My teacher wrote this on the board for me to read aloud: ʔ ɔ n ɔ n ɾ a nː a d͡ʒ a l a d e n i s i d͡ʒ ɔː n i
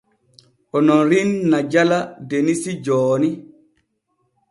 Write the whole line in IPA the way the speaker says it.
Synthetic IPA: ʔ ɔ n ɔ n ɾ i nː a d͡ʒ a l a d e n i s i d͡ʒ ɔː n i